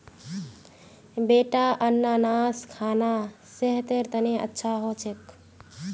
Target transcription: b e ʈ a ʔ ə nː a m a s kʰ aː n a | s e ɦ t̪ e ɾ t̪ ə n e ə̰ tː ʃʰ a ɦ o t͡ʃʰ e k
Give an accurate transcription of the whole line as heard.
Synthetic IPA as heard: b e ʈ a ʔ ə nː a n a s kʰ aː n a | s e ɦ t̪ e ɾ t̪ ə n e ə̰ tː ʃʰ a ɦ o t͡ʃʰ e k